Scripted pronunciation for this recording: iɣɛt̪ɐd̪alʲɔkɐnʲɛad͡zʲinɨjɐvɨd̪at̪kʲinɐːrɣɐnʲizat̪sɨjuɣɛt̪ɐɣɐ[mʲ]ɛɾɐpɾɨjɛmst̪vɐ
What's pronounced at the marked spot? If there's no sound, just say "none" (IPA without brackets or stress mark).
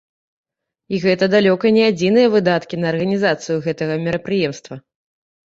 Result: mʲ